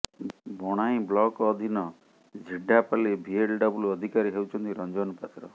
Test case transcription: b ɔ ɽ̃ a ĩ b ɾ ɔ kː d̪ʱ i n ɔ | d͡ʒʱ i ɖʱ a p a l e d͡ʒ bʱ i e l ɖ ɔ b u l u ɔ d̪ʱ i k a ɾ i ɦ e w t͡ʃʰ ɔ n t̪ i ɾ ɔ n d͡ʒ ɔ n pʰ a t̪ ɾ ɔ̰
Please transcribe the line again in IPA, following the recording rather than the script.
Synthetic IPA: b ɔ ɽ̃ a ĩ b l ɔ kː d̪ʱ i n ɔ | d͡ʒʱ i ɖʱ a p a l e bʱ i e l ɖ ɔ b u l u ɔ d̪ʱ i k a ɾ i ɦ e w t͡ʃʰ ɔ n t̪ i ɾ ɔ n d͡ʒ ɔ n p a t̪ ɾ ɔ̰